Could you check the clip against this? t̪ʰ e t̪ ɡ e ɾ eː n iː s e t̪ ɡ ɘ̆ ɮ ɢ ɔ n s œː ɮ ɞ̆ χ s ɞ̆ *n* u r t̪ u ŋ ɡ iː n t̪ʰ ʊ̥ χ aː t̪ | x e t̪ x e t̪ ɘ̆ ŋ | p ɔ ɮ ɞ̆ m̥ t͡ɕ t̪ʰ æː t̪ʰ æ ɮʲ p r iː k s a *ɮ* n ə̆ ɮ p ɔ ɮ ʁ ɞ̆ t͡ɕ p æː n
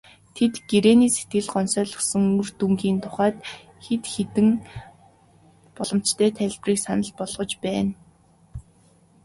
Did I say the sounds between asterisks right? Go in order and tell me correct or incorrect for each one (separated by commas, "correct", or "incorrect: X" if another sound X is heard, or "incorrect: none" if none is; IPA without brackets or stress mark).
incorrect: ŋ, incorrect: none